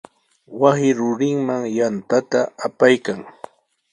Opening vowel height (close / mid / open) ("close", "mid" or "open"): open